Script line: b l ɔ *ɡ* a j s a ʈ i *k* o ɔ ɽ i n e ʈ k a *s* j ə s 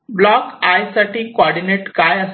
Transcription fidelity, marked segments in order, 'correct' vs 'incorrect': incorrect: k, correct, incorrect: none

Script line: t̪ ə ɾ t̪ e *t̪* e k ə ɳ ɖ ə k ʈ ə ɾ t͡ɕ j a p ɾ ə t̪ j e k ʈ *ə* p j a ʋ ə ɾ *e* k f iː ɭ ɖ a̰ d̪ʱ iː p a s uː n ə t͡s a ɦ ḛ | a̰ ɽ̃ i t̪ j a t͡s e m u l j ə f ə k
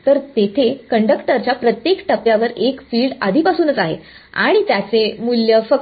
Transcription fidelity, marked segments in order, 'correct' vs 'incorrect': incorrect: t̪ʰ, correct, correct

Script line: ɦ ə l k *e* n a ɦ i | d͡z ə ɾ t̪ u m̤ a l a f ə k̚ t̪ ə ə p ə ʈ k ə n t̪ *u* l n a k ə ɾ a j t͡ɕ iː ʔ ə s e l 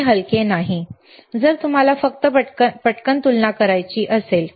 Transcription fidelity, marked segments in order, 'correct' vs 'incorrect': correct, correct

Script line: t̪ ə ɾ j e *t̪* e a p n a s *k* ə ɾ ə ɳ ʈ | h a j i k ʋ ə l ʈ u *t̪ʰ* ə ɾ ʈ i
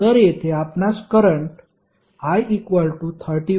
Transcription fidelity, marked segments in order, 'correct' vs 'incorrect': incorrect: t̪ʰ, correct, correct

